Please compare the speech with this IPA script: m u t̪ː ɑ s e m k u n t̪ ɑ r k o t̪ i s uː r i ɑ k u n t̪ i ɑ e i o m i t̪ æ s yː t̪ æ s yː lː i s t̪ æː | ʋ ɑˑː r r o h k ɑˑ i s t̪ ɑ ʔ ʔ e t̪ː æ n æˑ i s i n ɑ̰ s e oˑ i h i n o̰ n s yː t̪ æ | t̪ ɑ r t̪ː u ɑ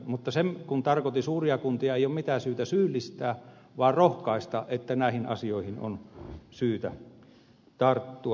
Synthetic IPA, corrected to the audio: m u t̪ː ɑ s e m k u n t̪ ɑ r k o t̪ i s uː r i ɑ k u n t̪ i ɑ e i o m i t̪ æ s yː t̪ æ s yː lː i s t̪ æː | ʋ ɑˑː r r o h k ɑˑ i s t̪ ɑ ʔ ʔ e t̪ː æ n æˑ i h i n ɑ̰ s i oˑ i h i n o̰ n s yː t̪ æ | t̪ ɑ r t̪ː u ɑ